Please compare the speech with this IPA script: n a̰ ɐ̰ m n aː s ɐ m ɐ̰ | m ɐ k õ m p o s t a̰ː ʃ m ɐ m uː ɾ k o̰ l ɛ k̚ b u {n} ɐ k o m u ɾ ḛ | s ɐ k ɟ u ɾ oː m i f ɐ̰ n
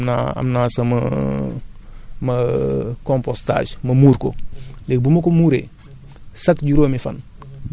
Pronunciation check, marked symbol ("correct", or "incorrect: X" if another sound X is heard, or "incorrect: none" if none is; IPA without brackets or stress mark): incorrect: m